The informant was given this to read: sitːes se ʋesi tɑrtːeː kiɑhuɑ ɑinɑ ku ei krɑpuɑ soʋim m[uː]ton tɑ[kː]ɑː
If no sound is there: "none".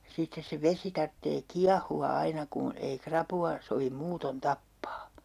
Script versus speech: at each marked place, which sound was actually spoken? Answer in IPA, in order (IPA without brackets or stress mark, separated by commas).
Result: uː, pː